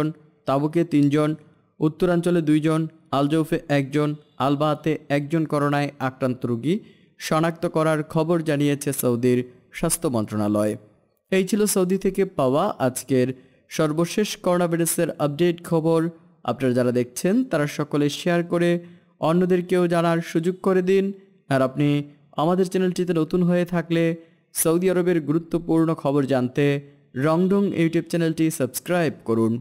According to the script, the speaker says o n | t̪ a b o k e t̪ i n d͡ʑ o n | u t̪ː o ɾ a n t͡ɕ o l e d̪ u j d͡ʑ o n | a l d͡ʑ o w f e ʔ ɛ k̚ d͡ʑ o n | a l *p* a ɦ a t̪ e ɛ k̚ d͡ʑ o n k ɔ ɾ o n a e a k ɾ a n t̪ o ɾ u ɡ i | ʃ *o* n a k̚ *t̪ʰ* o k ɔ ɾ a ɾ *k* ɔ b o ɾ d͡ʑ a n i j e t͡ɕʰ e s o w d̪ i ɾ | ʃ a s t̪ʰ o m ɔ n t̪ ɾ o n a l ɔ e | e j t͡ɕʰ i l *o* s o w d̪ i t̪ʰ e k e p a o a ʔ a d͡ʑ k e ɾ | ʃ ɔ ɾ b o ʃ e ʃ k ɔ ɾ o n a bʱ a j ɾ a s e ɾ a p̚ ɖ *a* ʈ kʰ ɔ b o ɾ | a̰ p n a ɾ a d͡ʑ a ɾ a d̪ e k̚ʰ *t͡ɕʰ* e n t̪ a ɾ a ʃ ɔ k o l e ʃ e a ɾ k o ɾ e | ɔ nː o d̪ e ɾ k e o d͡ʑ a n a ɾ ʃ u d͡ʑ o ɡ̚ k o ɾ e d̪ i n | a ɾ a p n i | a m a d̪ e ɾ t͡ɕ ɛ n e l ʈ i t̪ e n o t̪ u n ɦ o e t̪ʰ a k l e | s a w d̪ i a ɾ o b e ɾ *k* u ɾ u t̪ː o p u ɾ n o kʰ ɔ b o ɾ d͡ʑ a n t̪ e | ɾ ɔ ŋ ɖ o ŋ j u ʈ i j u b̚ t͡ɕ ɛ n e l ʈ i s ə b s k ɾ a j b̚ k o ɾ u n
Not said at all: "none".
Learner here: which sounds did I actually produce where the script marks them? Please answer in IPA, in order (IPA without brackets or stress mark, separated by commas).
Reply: b, ɔ, t̪, kʰ, o, e, t͡ɕʰ, ɡ